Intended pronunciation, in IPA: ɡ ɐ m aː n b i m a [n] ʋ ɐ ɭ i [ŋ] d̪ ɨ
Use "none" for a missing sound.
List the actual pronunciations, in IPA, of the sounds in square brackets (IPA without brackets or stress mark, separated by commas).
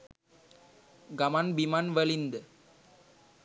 n, n